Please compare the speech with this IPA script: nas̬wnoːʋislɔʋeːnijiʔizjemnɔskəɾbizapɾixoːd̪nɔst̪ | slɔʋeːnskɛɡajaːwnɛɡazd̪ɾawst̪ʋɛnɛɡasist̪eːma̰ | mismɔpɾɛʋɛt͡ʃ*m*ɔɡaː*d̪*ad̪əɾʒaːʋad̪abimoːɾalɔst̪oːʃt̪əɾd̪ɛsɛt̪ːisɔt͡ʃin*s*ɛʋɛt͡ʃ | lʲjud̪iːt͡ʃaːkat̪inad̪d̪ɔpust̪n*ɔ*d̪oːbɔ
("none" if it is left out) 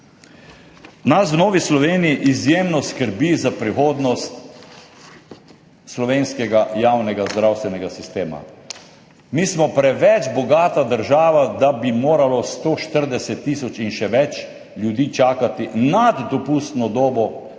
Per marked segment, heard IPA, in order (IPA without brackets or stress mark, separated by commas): b, t̪, ʃ, ɔ